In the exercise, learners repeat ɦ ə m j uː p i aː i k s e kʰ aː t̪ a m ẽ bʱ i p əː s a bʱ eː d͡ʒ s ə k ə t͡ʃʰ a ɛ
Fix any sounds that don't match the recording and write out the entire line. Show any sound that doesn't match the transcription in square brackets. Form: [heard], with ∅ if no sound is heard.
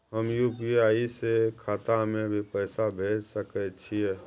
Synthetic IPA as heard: ɦ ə m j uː p i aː i [∅] s e kʰ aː t̪ a m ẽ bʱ i p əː s a bʱ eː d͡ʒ s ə k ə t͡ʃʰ [i] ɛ